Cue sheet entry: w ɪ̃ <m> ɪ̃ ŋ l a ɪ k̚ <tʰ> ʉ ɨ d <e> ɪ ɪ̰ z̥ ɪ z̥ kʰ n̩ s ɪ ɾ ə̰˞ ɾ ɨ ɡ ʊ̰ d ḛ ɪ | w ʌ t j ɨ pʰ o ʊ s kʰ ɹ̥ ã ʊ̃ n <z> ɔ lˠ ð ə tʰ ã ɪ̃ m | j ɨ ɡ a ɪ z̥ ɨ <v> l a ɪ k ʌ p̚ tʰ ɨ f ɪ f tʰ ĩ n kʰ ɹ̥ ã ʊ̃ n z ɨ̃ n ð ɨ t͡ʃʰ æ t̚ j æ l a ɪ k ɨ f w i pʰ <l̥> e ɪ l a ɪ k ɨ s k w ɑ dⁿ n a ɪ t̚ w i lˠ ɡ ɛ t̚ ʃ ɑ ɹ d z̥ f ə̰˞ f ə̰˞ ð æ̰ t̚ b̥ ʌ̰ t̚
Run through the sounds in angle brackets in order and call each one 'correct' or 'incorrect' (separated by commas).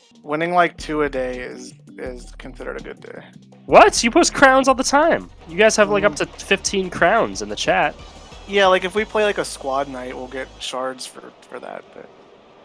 incorrect, correct, correct, correct, correct, correct